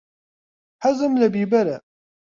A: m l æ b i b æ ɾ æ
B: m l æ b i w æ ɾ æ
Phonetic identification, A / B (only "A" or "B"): A